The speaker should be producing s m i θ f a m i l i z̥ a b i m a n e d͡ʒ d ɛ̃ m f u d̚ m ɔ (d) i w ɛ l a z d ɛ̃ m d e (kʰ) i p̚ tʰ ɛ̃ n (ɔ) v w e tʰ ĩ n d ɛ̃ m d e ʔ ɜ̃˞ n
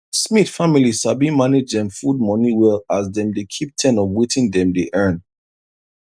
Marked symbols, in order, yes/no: no, yes, yes

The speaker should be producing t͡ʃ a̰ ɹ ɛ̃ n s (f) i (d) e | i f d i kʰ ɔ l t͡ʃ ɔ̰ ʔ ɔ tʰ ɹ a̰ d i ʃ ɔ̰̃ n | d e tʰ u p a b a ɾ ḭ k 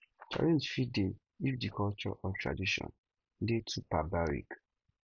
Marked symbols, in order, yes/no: yes, yes

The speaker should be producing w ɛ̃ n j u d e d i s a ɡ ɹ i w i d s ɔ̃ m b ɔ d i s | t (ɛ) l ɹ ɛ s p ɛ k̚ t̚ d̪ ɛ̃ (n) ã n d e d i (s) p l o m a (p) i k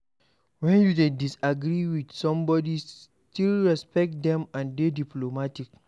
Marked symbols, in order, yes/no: no, no, no, no

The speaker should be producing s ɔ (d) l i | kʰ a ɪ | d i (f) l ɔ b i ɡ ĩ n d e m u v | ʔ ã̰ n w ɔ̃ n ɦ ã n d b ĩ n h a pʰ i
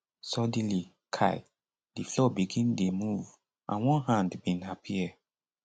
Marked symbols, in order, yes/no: yes, yes

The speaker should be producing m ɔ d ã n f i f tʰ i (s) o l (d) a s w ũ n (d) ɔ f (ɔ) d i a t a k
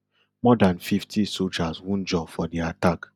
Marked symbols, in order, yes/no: yes, no, no, yes

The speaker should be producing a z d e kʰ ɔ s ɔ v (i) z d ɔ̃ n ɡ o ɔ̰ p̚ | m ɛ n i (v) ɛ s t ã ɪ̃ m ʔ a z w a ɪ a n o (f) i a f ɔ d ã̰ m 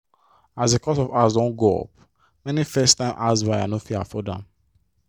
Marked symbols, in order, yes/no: no, no, yes

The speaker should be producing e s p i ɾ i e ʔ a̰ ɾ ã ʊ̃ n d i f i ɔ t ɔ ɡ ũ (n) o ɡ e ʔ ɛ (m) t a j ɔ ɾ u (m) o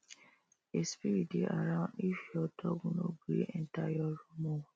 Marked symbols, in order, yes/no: yes, no, yes

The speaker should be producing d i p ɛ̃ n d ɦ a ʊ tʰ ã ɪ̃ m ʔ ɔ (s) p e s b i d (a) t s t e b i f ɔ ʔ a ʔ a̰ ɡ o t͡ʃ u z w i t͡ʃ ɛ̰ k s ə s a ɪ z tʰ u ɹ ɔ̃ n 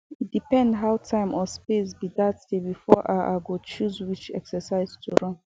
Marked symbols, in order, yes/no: yes, yes

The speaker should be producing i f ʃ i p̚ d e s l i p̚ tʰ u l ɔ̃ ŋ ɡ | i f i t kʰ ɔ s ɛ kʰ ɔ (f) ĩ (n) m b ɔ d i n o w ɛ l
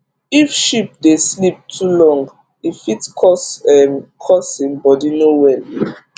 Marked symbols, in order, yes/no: no, no

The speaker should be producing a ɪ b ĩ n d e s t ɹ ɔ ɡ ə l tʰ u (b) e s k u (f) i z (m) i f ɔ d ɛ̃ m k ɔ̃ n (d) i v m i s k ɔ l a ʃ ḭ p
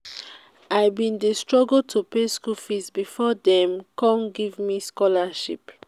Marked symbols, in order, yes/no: no, yes, no, no

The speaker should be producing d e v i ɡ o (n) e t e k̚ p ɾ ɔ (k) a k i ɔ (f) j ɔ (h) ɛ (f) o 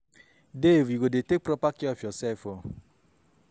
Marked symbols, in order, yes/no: no, no, yes, no, yes

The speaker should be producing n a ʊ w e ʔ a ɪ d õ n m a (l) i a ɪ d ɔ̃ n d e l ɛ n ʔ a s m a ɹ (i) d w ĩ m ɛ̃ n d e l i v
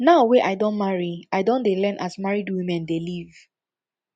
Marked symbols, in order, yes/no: no, yes

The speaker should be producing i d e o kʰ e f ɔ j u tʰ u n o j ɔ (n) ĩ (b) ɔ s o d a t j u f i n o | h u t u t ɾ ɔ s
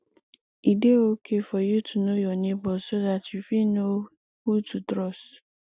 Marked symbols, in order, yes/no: yes, yes

